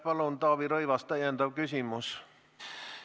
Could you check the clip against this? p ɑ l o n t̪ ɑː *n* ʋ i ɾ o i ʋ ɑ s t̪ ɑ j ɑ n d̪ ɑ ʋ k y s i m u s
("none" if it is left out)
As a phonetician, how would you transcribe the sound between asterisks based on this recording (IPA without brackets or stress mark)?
none